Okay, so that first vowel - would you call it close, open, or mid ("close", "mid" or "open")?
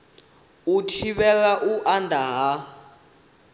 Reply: close